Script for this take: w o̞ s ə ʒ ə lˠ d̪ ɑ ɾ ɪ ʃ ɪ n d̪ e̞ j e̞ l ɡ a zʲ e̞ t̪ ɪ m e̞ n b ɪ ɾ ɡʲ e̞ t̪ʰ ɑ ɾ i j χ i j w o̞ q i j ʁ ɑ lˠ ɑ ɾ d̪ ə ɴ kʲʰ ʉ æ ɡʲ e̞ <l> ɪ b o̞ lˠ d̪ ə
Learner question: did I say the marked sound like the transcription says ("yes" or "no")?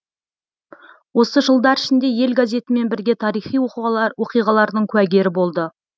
no